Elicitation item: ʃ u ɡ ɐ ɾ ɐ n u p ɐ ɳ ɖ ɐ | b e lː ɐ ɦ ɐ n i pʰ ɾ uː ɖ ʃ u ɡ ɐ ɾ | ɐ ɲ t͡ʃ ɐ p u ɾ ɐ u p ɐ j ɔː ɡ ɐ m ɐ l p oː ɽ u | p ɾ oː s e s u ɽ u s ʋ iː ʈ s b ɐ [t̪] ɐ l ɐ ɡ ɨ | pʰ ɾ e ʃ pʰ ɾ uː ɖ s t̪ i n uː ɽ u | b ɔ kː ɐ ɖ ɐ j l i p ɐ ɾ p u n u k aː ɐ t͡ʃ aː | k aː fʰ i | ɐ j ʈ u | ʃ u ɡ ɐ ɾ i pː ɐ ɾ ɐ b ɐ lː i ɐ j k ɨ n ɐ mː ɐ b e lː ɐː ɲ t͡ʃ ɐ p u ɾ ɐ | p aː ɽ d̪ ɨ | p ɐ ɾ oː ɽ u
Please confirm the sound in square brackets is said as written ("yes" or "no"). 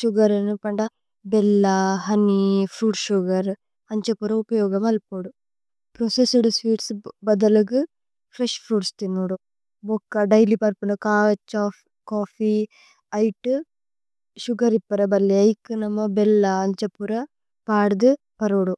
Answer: no